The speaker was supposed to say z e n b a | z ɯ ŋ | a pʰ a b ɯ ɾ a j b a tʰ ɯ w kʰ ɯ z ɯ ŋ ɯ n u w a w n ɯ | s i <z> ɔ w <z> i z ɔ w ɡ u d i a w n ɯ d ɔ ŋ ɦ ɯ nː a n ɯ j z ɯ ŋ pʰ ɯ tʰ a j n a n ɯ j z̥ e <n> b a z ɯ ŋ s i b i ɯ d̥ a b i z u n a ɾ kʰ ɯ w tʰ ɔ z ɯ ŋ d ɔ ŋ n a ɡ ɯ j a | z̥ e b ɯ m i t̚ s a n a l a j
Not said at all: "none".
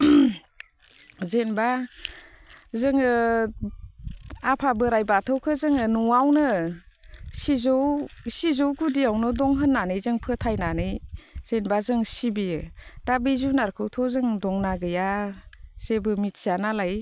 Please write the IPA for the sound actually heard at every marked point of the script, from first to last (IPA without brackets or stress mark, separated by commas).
z, s, n